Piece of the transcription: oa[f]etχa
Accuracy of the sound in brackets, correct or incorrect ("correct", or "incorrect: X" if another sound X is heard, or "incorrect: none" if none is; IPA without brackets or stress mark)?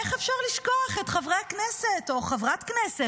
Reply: incorrect: χ